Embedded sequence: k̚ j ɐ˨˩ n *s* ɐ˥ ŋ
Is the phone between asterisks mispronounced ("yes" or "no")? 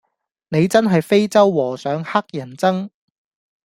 yes